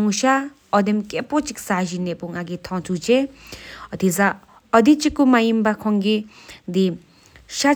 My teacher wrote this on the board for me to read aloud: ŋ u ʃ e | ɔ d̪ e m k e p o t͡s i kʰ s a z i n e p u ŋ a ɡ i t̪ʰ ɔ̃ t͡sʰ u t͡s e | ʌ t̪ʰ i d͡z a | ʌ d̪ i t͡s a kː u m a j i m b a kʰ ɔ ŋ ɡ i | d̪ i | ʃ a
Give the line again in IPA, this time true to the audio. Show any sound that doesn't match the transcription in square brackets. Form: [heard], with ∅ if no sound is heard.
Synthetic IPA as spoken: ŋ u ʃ [a] | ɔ d̪ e m k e p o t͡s i [k] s a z i n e p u ŋ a ɡ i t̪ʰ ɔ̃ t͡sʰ u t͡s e | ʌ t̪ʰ i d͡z a | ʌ d̪ i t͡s [i] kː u m a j i m b a kʰ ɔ ŋ ɡ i | d̪ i | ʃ a